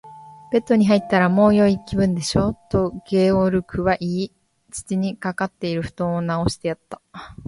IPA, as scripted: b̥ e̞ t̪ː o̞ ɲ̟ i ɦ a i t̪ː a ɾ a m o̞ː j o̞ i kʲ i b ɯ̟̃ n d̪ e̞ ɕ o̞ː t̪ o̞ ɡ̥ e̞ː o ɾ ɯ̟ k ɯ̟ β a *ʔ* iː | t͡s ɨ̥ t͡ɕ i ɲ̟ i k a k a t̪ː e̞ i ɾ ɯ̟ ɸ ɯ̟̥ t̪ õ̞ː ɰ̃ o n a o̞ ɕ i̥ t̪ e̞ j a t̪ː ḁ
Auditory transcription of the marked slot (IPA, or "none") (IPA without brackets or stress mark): ʔ